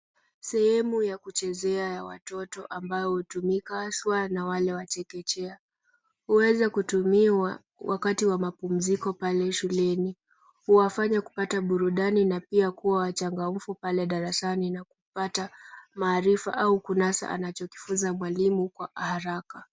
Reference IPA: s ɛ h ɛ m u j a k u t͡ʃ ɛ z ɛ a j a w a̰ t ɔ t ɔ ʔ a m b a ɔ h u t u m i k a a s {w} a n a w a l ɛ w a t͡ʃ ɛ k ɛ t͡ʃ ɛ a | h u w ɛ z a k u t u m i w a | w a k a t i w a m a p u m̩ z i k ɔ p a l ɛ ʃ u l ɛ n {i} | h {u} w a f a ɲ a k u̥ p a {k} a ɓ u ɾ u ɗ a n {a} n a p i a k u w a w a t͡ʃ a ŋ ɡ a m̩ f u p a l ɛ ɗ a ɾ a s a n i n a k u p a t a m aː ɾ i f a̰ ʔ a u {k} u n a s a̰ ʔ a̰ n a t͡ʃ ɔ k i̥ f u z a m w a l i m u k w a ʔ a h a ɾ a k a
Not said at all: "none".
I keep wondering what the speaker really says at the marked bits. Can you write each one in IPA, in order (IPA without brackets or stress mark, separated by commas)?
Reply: w, i, u, t, i, k